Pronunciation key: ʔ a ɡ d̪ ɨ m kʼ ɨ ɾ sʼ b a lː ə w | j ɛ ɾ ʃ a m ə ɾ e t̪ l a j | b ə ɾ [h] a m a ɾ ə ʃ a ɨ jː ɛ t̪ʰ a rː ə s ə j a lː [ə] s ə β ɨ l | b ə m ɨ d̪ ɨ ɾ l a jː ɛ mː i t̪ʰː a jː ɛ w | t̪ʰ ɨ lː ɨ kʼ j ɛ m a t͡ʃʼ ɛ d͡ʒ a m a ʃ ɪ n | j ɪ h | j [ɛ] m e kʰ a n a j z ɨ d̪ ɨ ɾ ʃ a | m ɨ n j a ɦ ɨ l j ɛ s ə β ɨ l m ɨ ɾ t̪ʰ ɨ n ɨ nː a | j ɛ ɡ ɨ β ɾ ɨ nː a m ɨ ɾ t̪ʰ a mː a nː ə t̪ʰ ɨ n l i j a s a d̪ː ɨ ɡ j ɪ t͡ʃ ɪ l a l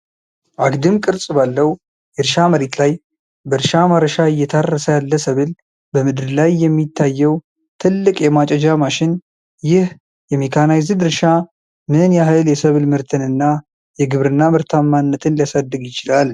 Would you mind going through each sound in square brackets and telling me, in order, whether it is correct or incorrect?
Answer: incorrect, correct, correct

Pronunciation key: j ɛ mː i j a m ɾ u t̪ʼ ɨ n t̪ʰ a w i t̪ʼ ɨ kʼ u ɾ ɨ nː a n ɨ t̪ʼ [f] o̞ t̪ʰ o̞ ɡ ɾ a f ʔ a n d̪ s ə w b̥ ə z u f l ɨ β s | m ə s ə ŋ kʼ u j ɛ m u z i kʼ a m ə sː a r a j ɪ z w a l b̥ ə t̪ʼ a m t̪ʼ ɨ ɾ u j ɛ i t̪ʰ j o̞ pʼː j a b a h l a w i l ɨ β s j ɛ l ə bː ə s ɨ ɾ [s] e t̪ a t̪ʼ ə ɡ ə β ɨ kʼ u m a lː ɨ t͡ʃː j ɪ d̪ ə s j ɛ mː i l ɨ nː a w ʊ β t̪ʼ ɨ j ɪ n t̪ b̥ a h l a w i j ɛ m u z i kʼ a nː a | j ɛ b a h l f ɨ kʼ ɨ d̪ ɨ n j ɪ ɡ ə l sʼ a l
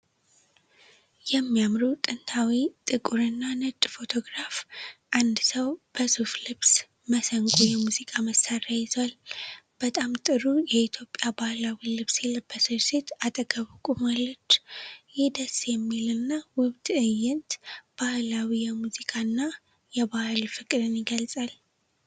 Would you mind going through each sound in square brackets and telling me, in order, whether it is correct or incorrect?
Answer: correct, correct

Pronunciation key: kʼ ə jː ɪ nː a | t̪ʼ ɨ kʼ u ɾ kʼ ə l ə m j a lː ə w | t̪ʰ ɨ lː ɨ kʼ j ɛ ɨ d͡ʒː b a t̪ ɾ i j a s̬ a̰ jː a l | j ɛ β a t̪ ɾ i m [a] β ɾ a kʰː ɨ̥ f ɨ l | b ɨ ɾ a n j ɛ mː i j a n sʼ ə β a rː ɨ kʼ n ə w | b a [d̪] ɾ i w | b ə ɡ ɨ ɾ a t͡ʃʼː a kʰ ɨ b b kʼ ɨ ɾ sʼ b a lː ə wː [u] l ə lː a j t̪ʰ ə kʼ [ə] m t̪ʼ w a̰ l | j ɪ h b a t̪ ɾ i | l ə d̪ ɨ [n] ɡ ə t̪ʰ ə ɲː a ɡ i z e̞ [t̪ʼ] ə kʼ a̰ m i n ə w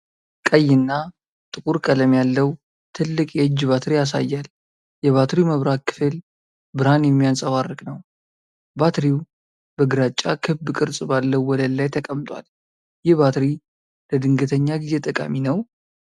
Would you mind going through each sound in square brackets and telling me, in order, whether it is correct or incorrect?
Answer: incorrect, incorrect, incorrect, correct, incorrect, correct

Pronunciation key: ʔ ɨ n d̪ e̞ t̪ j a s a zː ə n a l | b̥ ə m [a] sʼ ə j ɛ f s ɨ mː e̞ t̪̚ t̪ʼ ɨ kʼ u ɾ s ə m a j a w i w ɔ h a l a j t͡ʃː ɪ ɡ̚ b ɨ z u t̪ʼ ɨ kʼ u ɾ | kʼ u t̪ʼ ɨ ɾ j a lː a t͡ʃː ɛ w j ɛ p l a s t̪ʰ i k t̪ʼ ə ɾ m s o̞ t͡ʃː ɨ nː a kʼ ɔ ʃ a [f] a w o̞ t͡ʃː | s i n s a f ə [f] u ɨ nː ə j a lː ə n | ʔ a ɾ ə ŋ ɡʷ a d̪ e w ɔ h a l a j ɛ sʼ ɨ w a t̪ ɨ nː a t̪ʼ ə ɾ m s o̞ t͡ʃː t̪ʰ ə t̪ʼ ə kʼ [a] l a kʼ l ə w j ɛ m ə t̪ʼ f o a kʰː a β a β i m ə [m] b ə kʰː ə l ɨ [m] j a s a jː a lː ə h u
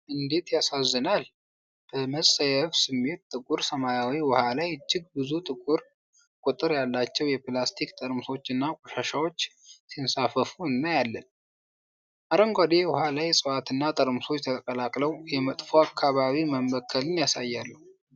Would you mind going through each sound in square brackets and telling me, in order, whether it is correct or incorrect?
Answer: incorrect, incorrect, correct, incorrect, correct, incorrect

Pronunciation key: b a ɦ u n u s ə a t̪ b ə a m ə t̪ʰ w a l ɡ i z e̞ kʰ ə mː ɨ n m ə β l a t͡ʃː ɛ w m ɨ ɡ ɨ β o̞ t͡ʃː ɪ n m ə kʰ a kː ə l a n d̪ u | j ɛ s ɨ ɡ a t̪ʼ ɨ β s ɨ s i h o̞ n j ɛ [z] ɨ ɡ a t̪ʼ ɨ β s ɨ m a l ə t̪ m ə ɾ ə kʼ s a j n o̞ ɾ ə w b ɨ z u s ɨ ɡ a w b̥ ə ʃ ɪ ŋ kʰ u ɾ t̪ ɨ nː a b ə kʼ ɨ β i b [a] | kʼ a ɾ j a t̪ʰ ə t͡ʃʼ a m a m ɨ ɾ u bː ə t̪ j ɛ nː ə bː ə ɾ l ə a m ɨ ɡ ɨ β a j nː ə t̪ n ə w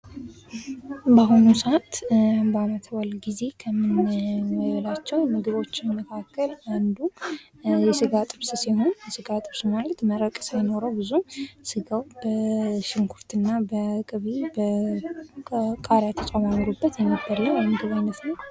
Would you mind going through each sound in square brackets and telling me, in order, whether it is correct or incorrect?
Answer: incorrect, incorrect

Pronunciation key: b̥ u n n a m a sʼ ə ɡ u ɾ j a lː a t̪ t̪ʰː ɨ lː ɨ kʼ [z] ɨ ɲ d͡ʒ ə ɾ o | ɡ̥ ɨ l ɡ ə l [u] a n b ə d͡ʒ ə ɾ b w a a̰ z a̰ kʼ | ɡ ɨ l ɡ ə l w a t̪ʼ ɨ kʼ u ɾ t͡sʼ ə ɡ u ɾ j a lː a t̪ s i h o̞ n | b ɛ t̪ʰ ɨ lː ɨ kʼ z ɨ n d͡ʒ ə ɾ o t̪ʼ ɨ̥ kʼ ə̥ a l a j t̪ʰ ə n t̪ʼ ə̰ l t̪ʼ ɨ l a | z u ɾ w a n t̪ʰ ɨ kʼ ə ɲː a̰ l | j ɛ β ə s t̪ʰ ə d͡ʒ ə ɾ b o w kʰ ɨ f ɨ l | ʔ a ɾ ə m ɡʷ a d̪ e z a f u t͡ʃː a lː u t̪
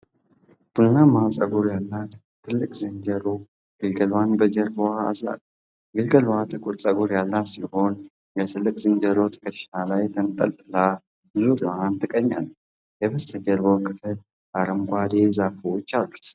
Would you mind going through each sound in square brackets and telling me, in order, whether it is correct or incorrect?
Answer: correct, incorrect

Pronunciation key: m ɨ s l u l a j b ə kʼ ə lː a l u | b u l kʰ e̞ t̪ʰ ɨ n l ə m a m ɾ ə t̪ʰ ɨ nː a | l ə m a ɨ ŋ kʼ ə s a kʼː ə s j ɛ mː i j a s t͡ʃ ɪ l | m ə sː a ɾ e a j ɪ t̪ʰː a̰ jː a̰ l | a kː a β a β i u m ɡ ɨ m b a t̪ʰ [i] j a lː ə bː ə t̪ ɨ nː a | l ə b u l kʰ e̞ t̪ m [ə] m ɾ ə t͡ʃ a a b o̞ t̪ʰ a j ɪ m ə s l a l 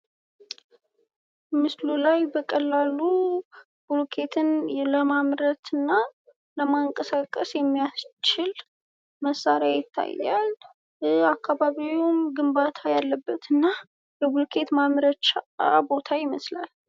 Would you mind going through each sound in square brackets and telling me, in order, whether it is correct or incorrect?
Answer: incorrect, incorrect

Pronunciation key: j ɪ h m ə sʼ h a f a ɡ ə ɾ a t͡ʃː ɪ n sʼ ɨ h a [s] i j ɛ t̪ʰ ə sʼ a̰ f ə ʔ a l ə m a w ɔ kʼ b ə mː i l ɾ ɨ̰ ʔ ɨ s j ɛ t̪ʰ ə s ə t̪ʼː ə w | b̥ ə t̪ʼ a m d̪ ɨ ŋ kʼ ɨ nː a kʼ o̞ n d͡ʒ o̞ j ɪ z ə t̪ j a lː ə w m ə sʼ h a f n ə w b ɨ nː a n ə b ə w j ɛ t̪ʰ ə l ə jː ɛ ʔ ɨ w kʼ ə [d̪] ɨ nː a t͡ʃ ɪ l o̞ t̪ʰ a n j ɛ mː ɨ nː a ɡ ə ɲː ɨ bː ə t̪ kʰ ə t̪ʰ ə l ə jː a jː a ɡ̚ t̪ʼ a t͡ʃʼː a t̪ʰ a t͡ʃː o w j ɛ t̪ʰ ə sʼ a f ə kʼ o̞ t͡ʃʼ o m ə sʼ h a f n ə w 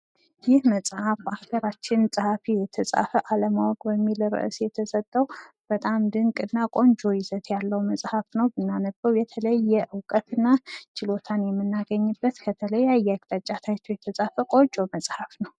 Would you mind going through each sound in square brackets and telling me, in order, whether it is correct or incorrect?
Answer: incorrect, incorrect

